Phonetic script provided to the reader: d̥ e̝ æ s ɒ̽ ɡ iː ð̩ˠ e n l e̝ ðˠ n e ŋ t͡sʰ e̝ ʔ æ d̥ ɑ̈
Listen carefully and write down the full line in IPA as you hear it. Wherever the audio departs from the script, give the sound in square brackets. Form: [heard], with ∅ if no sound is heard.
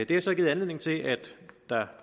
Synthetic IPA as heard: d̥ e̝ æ s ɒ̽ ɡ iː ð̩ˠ [æ] n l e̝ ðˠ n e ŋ t͡sʰ e̝ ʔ æ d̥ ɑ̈

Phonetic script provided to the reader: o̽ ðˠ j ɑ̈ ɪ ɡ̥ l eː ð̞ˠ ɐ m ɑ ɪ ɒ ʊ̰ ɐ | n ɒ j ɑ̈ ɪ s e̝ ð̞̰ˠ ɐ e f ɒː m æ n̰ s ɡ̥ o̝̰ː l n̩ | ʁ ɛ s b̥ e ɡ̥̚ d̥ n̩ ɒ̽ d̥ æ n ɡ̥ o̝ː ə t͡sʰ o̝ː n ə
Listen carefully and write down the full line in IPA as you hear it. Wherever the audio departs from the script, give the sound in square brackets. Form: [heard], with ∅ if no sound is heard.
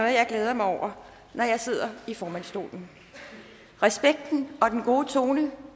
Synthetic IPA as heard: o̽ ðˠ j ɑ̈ ɪ ɡ̥ l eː ð̞ˠ ɐ m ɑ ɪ ɒ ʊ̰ ɐ | n ɒ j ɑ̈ ɪ s e̝ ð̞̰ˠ ɐ [i] f ɒː m æ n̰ s [d̥] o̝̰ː l n̩ | ʁ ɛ s b̥ e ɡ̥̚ d̥ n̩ ɒ̽ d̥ [e] n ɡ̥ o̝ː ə t͡sʰ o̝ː n ə

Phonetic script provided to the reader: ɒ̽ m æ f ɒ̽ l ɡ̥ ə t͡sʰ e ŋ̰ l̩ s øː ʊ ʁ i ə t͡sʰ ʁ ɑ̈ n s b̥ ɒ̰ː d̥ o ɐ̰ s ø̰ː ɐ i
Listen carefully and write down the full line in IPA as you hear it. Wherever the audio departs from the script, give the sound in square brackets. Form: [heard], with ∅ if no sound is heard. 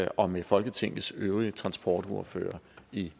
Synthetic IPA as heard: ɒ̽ m [e] f ɒ̽ l ɡ̥ ə t͡sʰ e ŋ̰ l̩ s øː ʊ ʁ i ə t͡sʰ ʁ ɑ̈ n s b̥ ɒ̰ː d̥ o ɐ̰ [f] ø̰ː ɐ i

